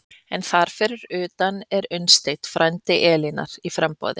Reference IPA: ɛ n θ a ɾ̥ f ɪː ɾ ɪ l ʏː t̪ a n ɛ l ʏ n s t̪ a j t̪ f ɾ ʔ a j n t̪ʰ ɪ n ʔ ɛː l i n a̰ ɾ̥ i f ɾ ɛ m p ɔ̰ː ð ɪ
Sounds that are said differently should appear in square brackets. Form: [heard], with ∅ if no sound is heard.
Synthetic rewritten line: ɛ n θ a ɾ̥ f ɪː ɾ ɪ [ɾ] ʏː t̪ a n ɛ [ɾ] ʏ n s t̪ [e] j t̪ f ɾ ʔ a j n [t̪] ɪ [∅] ʔ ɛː l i n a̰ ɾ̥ i f ɾ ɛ m p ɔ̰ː ð ɪ